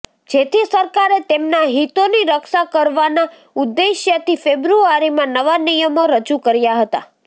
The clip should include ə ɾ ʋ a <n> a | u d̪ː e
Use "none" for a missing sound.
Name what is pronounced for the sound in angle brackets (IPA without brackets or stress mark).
n